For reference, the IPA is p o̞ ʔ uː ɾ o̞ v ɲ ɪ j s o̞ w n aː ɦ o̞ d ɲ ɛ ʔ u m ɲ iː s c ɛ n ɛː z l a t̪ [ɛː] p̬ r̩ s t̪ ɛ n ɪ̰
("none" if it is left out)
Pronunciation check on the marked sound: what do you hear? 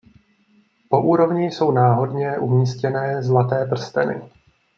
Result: ɛː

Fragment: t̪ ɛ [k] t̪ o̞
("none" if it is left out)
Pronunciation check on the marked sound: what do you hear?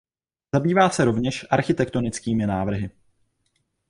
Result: k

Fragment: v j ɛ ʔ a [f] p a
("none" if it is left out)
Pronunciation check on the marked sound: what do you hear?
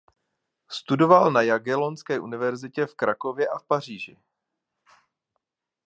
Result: f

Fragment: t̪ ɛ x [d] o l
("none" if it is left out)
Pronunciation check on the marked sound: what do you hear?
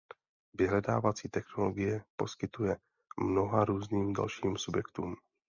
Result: n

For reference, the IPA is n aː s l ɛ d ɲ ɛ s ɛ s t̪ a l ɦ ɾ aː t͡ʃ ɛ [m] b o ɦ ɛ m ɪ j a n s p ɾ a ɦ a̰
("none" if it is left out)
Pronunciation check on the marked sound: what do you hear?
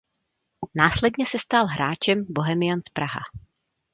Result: m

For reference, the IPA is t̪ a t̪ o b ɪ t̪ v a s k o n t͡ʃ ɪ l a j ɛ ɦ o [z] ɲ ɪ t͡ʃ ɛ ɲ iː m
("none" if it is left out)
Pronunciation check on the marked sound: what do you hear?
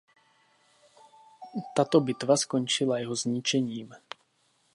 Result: z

